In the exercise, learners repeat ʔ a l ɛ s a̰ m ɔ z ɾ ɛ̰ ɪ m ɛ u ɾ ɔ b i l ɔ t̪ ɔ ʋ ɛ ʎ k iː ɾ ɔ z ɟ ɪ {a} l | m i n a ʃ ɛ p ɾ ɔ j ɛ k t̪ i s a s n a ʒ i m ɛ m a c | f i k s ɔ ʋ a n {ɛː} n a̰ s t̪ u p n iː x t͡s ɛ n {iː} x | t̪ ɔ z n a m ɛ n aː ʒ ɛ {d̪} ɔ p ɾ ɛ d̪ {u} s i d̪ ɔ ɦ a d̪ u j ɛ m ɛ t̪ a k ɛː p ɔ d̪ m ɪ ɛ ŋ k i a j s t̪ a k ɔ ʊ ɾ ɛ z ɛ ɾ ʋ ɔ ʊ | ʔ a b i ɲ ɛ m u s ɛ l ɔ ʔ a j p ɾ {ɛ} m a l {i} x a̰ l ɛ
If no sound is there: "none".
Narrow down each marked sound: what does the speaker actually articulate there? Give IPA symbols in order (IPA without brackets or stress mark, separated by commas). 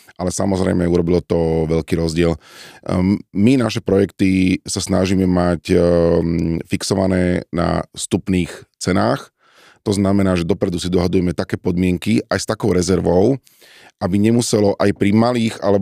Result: ɛ, ɛː, aː, d̪, u, i, iː